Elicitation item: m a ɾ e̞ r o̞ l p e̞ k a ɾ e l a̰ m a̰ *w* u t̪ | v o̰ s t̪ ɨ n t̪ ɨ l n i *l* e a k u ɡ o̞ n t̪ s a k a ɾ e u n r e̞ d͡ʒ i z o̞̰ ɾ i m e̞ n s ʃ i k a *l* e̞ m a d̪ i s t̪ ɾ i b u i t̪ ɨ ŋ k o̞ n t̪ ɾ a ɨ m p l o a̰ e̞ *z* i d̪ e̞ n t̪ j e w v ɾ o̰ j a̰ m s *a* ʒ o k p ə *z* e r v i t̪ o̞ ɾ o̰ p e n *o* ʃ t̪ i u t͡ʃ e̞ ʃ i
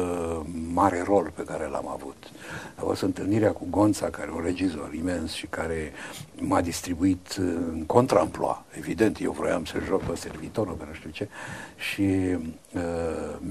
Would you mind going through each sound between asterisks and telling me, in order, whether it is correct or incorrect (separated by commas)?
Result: incorrect, incorrect, incorrect, incorrect, incorrect, incorrect, incorrect